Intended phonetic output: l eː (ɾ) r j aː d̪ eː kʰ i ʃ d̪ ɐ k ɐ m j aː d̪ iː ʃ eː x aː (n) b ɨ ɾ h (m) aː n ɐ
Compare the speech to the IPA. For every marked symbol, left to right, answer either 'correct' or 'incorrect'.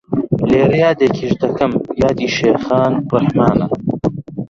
incorrect: none, correct, correct

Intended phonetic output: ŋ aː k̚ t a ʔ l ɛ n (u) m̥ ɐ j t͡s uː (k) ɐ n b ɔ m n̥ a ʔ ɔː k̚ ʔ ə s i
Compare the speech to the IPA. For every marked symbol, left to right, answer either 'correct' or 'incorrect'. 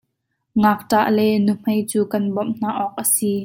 correct, correct

